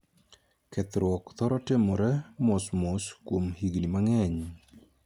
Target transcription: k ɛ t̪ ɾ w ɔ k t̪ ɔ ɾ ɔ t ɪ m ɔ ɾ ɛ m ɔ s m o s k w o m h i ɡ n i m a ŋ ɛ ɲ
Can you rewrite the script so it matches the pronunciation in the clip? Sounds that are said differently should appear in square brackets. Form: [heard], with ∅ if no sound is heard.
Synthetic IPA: k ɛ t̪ ɾ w ɔ k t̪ ɔ ɾ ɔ t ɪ m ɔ ɾ ɛ m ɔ s m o s k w o m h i ɡ n i m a ŋ ɛ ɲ

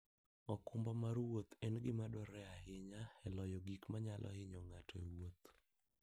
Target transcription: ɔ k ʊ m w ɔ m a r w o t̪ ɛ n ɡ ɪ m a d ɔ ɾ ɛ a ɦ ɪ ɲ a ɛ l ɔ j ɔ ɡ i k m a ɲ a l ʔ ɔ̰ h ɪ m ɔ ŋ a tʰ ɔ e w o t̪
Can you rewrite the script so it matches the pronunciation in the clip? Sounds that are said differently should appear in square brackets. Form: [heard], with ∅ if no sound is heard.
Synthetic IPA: ɔ k ʊ m [b] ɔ m a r w o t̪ ɛ n ɡ ɪ m a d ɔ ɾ ɛ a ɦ ɪ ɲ a ɛ l ɔ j ɔ ɡ i k m a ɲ a l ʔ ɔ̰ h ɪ [ɲ] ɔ ŋ a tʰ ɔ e w o t̪

